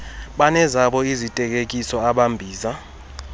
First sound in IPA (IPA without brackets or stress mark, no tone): ɓ